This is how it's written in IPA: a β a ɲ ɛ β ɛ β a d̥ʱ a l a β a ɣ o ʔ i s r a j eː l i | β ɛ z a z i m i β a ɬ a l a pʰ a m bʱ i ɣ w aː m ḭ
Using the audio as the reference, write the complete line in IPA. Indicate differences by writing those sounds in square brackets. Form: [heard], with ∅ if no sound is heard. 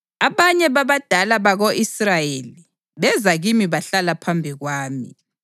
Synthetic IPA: a β a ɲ ɛ β [a] β a d̥ʱ a l a β a ɣ o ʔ i s r a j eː l i | β ɛ z a [ɣ] i m i β a ɬ a l a pʰ a m bʱ i ɣ w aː m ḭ